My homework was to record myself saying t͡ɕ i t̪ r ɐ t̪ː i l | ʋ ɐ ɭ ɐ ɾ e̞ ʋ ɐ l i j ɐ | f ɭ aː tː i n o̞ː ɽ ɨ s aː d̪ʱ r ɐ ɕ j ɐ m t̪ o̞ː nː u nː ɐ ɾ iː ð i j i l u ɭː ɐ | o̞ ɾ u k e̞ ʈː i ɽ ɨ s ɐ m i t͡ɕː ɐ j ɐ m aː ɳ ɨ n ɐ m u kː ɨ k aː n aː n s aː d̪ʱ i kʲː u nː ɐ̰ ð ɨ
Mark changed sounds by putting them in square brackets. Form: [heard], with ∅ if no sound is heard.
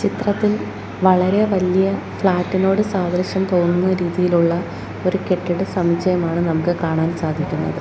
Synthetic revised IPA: t͡ɕ i t̪ r ɐ t̪ː i l | ʋ ɐ ɭ ɐ ɾ e̞ ʋ ɐ l i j ɐ | f ɭ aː tː i n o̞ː ɽ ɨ s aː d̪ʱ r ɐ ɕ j ɐ m t̪ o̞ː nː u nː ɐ ɾ iː ð i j i l u ɭː ɐ | o̞ ɾ u k e̞ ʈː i ɽ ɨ s ɐ m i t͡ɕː ɐ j ɐ m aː ɳ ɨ n ɐ m u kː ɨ k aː [ɳ] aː n s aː d̪ʱ i kʲː u nː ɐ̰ ð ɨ